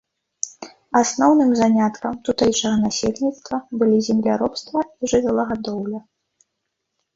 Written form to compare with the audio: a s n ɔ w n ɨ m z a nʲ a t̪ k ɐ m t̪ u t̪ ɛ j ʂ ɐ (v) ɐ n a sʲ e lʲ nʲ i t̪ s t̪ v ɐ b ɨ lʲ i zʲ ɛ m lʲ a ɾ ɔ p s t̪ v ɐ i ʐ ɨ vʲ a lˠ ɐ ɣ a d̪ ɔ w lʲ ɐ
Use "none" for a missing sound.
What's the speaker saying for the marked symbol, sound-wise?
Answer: ɣ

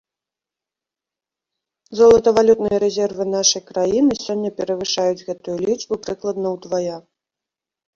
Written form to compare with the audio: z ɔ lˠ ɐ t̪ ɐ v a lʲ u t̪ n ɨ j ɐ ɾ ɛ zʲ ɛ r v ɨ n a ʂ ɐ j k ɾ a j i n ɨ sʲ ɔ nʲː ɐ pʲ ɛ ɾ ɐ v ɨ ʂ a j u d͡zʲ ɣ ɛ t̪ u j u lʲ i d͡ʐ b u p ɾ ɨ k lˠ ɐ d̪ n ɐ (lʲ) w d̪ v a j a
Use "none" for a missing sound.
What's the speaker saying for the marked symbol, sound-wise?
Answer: none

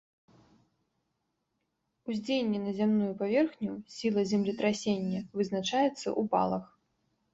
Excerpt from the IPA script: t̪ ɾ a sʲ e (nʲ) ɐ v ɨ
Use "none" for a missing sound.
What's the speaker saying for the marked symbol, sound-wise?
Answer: nʲː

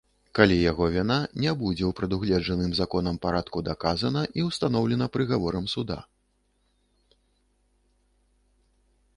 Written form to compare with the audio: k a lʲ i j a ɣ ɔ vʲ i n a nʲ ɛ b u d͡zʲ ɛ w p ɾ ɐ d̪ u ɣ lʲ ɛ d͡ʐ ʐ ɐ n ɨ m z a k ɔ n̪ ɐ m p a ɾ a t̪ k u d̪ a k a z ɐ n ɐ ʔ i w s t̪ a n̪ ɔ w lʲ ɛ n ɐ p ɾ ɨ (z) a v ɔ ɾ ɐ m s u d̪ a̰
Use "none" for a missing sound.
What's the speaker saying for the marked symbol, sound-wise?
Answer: ɣ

